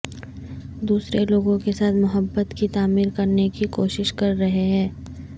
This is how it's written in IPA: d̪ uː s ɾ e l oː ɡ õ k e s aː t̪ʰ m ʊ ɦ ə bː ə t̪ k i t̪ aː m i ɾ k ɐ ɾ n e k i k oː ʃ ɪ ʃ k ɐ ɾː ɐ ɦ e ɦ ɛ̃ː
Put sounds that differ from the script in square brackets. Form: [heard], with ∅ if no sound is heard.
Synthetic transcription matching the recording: d̪ uː s ɾ e l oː ɡ õ k e s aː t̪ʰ m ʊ ɦ ə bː ə t̪ k i t̪ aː m [iː] ɾ k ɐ ɾ n e k i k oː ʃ ɪ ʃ k ɐ ɾː ɐ ɦ e ɦ ɛ̃ː